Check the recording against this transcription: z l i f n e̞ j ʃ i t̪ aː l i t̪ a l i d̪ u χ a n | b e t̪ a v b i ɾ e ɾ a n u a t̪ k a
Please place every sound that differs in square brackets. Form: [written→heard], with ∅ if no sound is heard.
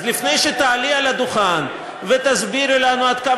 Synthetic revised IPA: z l i f n e̞ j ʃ [i→e] t̪ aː l i [t̪→∅] a l [i→a] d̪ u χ a n | [b→v] e t̪ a [v→z] b i ɾ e [ɾ→l] a n u a [t̪→d̪] k a